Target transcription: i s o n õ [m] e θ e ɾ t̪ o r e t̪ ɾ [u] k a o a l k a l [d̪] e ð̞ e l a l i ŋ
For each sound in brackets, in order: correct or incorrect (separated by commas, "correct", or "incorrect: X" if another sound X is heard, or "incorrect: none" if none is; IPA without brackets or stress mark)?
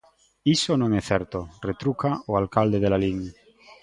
incorrect: ŋ, correct, correct